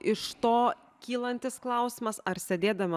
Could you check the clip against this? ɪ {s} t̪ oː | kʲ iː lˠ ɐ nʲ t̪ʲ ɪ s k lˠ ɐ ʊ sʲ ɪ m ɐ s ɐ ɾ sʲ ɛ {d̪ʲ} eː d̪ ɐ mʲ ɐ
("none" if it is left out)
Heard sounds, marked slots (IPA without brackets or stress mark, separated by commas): ʃ, d̪ʲ